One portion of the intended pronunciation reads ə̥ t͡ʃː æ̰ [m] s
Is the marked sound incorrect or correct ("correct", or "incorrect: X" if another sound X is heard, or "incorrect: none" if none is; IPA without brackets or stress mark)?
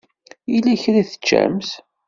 correct